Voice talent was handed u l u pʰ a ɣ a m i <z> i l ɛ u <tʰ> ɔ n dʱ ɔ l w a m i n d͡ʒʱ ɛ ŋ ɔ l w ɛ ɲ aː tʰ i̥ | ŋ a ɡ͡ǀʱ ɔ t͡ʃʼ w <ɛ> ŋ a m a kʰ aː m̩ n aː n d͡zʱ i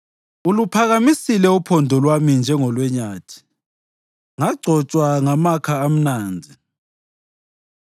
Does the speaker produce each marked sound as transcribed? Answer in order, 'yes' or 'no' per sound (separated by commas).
no, no, no